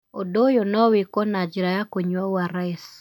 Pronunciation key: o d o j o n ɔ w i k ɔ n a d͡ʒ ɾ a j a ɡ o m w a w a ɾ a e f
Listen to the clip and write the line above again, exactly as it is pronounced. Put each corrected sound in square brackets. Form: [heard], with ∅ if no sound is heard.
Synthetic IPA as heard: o d o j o n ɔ w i k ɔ n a d͡ʒ ɾ a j a [k] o [ɲ] w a w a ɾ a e [s]